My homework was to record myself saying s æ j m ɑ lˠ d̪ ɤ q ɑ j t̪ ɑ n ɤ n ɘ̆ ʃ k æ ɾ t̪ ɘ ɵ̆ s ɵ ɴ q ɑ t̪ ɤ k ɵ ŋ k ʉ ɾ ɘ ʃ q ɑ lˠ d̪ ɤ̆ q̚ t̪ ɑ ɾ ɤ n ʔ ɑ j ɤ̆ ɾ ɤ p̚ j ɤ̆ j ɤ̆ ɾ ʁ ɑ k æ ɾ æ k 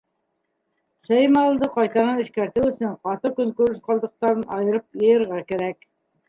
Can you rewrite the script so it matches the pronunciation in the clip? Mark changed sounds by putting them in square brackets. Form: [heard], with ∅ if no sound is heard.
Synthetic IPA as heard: s æ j m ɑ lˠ d̪ ɤ q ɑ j t̪ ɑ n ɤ n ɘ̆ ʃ k æ ɾ t̪ ɘ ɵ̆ s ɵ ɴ q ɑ t̪ ɤ k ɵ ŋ k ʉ ɾ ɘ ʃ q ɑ lˠ d̪ ɤ̆ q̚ t̪ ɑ ɾ ɤ n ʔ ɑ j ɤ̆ ɾ ɤ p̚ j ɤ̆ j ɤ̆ ɾ ʁ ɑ k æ ɾ æ k